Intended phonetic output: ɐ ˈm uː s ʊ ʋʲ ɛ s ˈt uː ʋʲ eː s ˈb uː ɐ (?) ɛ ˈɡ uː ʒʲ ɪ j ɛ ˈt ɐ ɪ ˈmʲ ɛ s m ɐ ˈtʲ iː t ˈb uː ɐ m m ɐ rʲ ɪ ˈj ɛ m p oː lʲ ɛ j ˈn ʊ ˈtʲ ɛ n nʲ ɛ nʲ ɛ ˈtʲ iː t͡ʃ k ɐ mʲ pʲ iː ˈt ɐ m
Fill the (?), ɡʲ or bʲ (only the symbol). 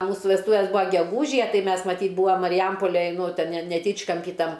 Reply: ɡʲ